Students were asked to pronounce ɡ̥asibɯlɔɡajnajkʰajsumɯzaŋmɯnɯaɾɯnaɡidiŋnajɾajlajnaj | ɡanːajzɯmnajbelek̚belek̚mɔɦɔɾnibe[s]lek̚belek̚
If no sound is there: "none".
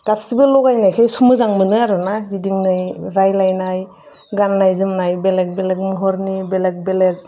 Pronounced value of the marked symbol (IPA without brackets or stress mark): none